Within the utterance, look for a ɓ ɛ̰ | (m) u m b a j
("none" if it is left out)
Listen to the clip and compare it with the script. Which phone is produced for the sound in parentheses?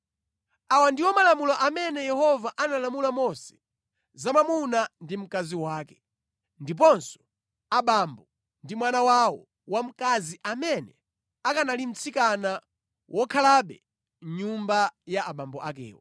ɲ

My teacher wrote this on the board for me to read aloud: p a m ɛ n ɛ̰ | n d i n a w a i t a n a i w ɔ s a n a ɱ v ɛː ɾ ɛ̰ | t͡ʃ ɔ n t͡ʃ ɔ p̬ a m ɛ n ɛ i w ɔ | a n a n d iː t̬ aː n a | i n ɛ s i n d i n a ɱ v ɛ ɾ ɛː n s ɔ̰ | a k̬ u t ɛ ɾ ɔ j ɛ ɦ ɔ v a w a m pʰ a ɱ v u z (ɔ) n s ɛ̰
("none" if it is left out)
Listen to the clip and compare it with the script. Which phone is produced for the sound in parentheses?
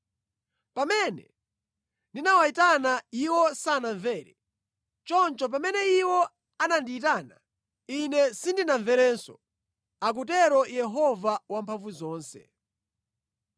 ɔː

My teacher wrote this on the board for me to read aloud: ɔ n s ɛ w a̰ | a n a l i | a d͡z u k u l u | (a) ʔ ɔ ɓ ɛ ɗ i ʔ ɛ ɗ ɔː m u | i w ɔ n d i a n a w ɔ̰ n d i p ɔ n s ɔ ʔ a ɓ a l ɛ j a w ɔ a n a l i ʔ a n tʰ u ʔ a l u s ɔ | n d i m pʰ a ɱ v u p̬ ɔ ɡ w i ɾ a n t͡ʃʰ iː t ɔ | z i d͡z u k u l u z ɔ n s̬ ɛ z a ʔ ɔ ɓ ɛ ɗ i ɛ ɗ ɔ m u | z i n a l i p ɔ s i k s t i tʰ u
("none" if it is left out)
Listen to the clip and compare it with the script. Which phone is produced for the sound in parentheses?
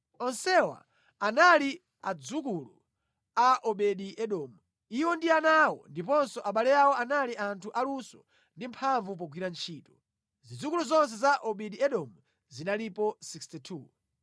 a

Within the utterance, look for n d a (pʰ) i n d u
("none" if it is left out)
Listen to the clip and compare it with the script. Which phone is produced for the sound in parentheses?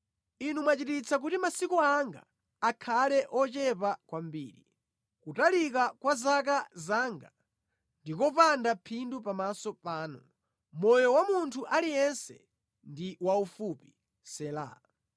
pʰ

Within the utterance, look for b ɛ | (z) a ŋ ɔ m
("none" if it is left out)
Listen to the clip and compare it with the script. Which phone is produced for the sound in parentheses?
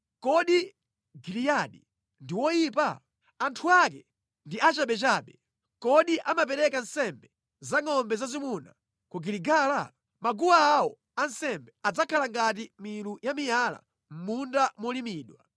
z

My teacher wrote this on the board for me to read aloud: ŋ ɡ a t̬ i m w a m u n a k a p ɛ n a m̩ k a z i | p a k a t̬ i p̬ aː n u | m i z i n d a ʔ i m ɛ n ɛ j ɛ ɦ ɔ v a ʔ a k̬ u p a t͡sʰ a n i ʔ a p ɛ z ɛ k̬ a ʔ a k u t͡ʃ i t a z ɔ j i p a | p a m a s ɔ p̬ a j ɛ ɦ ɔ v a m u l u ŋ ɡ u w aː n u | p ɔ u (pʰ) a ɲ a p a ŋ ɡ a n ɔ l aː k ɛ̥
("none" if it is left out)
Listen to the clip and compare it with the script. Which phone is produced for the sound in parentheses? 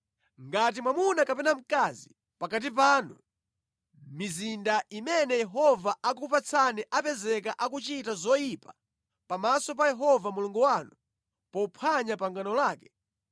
pʰ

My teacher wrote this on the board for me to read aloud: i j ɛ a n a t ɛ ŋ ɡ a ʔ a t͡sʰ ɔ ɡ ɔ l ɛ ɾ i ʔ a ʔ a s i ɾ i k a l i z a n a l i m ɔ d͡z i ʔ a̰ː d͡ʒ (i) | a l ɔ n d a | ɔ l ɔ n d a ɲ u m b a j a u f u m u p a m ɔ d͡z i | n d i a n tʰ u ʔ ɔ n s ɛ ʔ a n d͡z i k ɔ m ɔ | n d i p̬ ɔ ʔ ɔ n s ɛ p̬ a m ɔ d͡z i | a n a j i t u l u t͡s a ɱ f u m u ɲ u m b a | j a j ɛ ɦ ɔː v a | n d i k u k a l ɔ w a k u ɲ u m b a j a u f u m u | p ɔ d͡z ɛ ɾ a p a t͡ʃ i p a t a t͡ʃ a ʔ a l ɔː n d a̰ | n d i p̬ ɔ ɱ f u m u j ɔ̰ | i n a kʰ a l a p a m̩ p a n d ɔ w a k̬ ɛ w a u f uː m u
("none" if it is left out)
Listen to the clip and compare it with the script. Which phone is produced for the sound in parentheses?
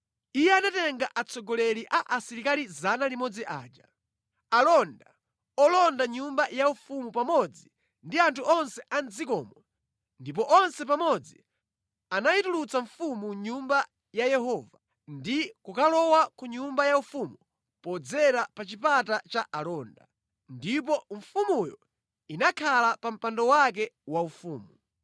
a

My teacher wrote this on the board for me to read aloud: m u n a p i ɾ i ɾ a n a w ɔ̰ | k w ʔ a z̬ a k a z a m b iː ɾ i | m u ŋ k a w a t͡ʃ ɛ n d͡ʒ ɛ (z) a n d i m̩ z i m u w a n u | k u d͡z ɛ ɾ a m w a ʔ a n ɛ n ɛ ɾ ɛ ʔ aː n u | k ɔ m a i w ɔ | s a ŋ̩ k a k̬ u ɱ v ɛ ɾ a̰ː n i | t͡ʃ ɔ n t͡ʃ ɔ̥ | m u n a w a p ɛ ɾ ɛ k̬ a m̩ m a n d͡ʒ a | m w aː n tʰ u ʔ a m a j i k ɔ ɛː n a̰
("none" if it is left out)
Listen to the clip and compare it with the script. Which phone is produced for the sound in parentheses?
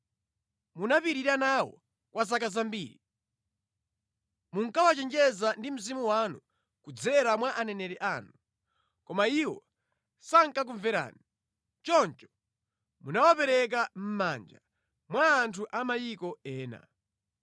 z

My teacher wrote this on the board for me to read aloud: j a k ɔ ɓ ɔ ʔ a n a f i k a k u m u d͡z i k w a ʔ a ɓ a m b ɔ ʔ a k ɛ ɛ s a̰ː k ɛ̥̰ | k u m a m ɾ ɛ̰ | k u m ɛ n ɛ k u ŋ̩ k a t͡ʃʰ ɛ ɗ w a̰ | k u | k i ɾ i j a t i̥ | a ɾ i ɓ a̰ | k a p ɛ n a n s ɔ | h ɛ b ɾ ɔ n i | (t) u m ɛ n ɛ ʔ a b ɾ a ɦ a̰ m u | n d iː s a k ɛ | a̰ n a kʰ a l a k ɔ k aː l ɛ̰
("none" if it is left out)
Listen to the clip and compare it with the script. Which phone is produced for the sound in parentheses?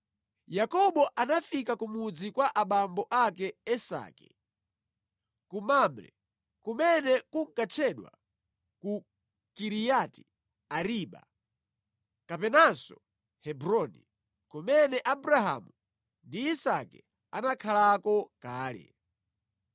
k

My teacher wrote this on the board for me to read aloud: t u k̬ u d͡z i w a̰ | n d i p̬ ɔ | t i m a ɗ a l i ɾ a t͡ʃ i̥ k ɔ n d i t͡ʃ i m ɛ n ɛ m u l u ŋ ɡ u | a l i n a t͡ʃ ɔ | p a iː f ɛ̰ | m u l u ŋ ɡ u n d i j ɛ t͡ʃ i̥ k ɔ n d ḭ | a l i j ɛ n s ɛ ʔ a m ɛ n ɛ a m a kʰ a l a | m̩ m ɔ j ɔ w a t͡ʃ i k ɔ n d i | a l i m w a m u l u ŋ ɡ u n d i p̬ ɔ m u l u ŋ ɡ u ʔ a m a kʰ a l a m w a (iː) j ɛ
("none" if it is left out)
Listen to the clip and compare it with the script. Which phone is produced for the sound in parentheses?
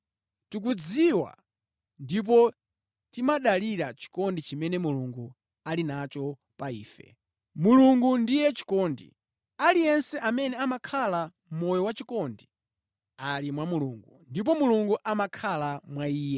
iː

